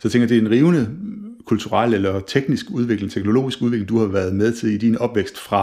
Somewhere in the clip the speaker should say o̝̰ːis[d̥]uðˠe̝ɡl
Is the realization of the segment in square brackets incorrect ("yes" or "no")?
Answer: yes